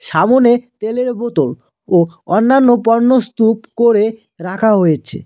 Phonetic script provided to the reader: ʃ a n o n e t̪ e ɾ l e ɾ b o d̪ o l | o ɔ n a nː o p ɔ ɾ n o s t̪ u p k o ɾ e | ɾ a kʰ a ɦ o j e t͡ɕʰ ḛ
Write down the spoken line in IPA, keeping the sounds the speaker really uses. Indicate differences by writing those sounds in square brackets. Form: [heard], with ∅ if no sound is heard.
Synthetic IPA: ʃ a [m] o n e t̪ e [∅] l e ɾ b o [t̪] o l | o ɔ [nː] a nː o p ɔ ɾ n o s t̪ u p k o ɾ e | ɾ a kʰ a ɦ o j e t͡ɕʰ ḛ

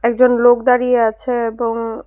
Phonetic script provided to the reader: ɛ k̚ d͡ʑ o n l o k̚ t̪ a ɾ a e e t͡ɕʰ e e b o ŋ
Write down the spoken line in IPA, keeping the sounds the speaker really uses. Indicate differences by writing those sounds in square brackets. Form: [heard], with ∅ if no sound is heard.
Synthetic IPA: ɛ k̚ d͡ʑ o n l o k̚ [d̪] a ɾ [i] e [a] t͡ɕʰ e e b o ŋ

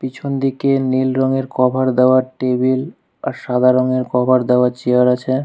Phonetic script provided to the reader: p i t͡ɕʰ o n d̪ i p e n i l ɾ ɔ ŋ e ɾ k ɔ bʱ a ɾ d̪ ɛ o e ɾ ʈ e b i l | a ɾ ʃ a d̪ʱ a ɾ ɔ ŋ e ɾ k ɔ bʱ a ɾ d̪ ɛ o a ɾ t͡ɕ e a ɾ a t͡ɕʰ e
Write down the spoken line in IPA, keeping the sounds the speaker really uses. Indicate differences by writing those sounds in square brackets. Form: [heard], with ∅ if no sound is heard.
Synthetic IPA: p i t͡ɕʰ o n d̪ i [k] e n i l ɾ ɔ ŋ e ɾ k ɔ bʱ a ɾ d̪ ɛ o [a] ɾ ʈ e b i l | a ɾ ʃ a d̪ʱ a ɾ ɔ ŋ e ɾ k ɔ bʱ a ɾ d̪ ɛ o a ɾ t͡ɕ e a ɾ a t͡ɕʰ e

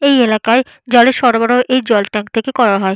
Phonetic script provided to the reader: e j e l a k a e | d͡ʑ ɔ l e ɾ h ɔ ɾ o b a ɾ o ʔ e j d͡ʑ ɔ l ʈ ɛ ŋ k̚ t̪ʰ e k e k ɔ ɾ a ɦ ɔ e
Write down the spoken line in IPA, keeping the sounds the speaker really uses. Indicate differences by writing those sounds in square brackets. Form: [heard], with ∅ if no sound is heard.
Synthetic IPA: e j e l a k a e | d͡ʑ ɔ l e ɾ [ʃ] ɔ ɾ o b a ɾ o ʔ e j d͡ʑ ɔ l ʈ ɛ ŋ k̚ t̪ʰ e k e k ɔ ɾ a ɦ ɔ e

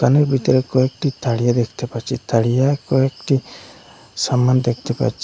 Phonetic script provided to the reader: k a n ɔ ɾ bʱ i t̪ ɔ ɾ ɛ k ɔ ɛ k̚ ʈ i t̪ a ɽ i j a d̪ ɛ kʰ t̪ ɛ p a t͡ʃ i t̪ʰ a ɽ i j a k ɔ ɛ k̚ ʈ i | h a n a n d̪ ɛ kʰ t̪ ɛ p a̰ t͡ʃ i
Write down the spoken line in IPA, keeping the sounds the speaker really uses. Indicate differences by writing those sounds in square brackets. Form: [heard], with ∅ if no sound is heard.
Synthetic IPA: k a n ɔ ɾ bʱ i t̪ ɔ ɾ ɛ k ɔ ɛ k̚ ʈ i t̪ a ɽ i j a d̪ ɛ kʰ t̪ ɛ p a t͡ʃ i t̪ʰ a ɽ i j a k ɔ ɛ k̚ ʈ i | [s] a [m] a n d̪ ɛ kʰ t̪ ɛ p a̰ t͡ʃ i

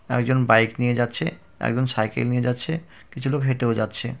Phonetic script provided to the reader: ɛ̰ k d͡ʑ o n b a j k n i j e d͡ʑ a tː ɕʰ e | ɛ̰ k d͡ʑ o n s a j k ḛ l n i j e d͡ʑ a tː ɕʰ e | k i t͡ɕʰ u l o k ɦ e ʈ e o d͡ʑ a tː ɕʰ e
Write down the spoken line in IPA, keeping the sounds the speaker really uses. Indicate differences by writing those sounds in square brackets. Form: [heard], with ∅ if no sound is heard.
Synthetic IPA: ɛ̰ k d͡ʑ o n b a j k n i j e d͡ʑ a tː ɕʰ e | ɛ̰ k d͡ʑ o n s a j k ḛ l n i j e d͡ʑ a tː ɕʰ e | k i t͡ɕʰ u l o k ɦ e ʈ e o d͡ʑ a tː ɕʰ e

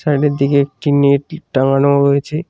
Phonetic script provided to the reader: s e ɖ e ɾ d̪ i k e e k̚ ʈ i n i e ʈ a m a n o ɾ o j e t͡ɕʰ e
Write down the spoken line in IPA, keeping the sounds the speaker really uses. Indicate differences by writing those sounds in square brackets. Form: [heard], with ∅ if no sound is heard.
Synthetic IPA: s [a] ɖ e ɾ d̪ i k e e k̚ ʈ i n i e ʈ a [ŋ] a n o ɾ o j e t͡ɕʰ e

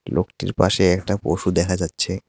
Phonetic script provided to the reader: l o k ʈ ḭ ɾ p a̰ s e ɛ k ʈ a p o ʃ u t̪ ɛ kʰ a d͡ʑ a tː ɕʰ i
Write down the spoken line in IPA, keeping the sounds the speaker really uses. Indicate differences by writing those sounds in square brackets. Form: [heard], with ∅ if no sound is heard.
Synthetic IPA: l o k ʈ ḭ ɾ p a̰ [ʃ] e ɛ k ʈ a p o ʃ u [d̪] ɛ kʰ a d͡ʑ a tː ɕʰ [e]

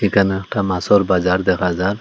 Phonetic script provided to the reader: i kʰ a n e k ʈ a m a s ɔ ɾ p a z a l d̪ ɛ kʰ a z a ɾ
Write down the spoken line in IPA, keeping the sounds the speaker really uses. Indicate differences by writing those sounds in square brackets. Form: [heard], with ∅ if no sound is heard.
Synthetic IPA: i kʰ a n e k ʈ a m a s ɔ ɾ [b] a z a [ɾ] d̪ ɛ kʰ a z a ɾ

